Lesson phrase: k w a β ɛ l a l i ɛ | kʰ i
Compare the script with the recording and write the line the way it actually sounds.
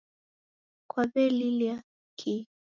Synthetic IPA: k w a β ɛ l i l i a | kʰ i